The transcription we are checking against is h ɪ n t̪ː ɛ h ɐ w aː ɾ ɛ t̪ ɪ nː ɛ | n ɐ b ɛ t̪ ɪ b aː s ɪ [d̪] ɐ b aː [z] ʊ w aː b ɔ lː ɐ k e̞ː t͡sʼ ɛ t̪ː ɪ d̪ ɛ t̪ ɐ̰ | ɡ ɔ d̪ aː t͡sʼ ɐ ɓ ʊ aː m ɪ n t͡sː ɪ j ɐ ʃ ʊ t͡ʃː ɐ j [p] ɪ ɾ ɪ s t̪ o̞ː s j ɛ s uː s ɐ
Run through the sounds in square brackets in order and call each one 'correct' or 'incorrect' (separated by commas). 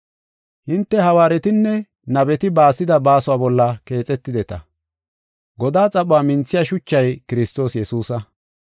correct, incorrect, incorrect